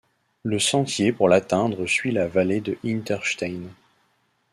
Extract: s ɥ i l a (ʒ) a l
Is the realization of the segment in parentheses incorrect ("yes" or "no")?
yes